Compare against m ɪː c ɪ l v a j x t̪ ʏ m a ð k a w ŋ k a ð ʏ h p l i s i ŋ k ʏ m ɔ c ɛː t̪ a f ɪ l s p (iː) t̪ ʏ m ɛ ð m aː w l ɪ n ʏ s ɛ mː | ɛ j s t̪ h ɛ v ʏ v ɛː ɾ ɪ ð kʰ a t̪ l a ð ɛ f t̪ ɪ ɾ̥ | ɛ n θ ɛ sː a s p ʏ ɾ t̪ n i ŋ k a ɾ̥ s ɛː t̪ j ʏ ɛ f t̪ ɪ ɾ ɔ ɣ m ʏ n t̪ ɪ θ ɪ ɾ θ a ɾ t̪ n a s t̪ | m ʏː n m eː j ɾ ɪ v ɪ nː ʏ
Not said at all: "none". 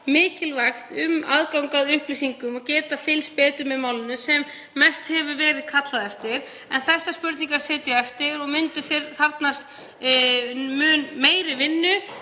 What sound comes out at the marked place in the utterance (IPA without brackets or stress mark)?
ɛː